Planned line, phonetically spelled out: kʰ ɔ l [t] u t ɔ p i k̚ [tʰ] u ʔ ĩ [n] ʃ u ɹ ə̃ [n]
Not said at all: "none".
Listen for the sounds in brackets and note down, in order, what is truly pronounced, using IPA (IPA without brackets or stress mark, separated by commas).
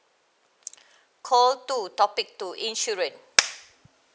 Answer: t, t, n, n